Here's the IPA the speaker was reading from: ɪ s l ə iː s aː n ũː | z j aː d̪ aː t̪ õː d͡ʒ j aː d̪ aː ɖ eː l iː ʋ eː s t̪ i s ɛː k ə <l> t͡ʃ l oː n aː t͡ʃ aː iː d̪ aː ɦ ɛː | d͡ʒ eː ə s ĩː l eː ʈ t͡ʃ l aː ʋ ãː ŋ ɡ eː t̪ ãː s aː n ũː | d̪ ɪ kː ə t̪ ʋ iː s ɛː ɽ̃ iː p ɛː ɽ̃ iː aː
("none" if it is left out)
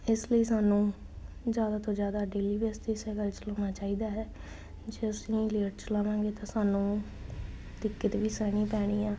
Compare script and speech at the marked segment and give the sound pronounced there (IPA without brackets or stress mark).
l